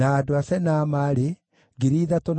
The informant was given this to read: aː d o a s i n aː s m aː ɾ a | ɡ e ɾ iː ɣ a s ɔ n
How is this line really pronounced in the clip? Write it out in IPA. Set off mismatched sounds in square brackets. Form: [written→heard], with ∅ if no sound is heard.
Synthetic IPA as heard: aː d o a s [i→ɛ] n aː [s→∅] m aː ɾ [a→e] | ɡ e ɾ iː [ɣ→ð] a [s→t] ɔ n